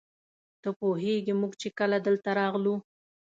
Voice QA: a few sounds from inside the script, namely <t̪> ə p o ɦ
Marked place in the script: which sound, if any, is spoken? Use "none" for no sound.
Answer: t̪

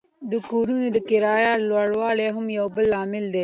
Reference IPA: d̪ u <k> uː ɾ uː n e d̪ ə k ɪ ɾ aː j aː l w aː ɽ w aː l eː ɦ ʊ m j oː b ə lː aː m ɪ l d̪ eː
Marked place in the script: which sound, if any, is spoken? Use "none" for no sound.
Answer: k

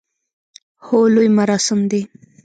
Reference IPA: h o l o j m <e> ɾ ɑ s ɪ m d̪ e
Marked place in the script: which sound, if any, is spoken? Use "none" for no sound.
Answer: a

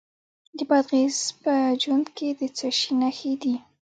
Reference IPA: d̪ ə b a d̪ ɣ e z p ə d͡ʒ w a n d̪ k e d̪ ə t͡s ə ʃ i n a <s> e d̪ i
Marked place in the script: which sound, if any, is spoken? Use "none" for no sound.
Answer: x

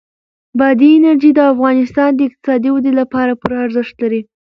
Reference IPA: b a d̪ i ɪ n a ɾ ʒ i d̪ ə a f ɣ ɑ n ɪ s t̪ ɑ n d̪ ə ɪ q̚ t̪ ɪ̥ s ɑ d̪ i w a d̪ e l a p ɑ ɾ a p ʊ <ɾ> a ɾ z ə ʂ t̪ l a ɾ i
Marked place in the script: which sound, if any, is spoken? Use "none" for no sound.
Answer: ɾ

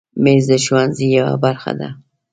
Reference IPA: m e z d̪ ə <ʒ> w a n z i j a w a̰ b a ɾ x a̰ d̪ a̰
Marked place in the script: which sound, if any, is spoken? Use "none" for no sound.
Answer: ʃ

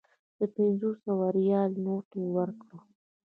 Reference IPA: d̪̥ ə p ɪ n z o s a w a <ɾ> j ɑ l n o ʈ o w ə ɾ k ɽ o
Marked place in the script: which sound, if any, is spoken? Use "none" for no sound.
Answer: ɾ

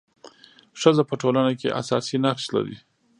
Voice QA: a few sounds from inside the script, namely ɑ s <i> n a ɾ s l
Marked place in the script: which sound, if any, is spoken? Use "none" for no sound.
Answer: i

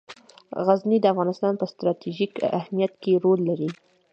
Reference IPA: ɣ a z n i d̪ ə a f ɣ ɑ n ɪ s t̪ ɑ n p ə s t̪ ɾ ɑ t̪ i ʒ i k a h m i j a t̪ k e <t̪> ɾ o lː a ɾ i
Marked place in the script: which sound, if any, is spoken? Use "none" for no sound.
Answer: none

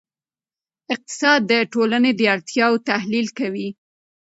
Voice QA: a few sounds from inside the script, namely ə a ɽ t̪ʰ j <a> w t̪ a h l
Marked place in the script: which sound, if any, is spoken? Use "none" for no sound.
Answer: ɑ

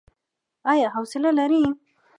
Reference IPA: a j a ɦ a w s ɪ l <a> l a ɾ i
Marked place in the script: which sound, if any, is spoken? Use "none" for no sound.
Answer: a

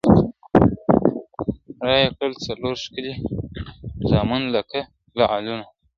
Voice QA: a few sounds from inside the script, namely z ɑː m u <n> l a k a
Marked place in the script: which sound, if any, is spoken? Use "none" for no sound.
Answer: n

